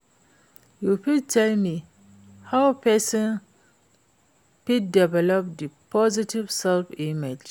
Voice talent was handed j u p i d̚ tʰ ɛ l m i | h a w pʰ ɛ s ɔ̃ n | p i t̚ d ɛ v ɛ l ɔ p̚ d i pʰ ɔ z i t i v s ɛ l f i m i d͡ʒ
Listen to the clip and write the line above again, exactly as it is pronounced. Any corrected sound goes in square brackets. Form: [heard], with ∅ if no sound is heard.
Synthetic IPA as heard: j u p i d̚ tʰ ɛ l m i | h a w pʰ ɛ s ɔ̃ n | p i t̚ d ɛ v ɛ l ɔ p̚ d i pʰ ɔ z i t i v s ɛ l f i m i d͡ʒ

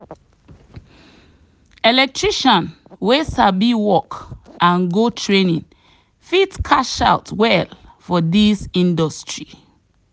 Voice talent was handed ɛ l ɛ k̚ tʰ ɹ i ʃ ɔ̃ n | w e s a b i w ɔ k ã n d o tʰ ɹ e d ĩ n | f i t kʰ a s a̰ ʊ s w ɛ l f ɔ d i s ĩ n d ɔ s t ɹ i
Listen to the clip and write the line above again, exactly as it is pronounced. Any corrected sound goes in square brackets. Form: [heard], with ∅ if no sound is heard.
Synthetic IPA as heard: ɛ l ɛ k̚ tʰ ɹ i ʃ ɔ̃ n | w e s a b i w ɔ k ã n [ɡ] o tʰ ɹ e [n] ĩ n | f i t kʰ a [ʃ] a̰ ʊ [t] w ɛ l f ɔ d i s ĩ n d ɔ s t ɹ i

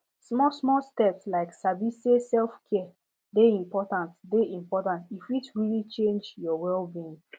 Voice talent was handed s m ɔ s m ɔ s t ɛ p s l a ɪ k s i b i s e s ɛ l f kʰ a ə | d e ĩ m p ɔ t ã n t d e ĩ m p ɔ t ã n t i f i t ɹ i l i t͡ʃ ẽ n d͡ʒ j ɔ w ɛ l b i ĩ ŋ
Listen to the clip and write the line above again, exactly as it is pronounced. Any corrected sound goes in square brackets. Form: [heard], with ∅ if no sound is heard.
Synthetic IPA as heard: s m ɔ s m ɔ s t ɛ p s l a ɪ k s [a] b i s e s ɛ l f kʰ [ɛ] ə | d e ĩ m p ɔ t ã n t d e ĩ m p ɔ t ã n t i f i t ɹ i l i t͡ʃ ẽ n d͡ʒ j ɔ w ɛ l b i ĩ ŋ

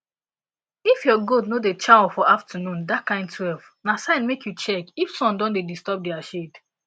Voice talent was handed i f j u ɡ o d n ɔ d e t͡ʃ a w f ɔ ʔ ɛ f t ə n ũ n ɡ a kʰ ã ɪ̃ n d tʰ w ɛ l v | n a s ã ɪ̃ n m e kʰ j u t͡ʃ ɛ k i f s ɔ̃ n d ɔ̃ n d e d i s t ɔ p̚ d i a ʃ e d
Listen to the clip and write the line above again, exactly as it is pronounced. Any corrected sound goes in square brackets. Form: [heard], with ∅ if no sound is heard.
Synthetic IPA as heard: i f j [ɔ] ɡ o d n [o] d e t͡ʃ a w f ɔ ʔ [a] f t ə n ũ n [d] a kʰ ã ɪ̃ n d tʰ w ɛ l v | n a s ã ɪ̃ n m e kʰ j u t͡ʃ ɛ k i f s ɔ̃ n d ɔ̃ n d e d i s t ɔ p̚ d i a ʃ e d

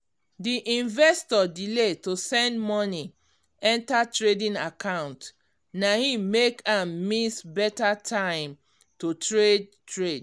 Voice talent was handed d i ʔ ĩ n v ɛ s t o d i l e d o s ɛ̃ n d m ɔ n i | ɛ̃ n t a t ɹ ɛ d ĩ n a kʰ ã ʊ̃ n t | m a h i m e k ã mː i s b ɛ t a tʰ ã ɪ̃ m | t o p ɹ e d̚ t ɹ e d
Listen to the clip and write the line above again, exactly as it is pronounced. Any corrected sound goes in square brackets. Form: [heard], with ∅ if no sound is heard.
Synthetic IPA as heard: d i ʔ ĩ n v ɛ s t [ɔ] d i l e [t] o s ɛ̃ n d m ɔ n i | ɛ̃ n t a t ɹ [e] d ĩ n a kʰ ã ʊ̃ n t | [n] a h i m e k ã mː i s b ɛ t a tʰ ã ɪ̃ m | t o [t] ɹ e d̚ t ɹ e d

